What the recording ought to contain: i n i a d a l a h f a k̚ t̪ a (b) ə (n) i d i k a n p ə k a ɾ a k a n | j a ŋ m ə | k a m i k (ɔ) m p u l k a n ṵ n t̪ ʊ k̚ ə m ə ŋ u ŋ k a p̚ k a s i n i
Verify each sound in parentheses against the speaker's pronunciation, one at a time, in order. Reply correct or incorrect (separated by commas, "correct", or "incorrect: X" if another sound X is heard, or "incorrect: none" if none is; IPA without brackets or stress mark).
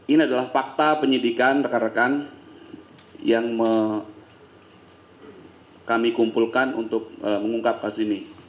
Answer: incorrect: p, incorrect: ɲ, incorrect: u